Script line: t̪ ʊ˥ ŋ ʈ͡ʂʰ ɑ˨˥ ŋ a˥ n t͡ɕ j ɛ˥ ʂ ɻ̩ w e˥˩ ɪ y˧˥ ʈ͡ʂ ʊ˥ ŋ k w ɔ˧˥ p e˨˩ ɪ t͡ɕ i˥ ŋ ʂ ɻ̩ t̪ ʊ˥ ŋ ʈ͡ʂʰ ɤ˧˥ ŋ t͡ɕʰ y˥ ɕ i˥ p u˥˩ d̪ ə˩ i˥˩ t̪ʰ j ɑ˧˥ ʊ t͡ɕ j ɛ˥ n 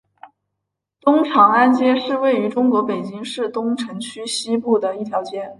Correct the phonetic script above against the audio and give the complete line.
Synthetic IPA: t̪ ʊ˥ ŋ ʈ͡ʂʰ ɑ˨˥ ŋ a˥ n t͡ɕ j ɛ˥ ʂ ɻ̩ w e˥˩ ɪ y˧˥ ʈ͡ʂ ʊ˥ ŋ k w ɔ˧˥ p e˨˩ ɪ t͡ɕ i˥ ŋ ʂ ɻ̩ t̪ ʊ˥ ŋ ʈ͡ʂʰ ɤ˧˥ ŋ t͡ɕʰ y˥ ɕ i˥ p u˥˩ d̪ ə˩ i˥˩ t̪ʰ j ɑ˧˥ ʊ t͡ɕ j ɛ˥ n